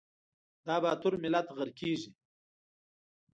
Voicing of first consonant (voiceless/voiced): voiced